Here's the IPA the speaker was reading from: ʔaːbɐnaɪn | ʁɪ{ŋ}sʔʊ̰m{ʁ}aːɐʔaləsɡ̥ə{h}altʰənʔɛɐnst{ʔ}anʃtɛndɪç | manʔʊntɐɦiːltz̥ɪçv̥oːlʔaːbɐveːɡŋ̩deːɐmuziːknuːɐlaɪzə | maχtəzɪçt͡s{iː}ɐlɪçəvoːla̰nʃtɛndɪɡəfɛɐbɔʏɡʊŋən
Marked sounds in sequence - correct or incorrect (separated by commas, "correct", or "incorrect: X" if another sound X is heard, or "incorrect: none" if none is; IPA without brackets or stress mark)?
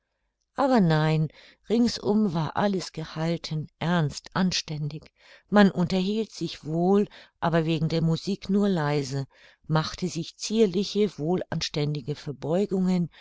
correct, incorrect: v, correct, correct, correct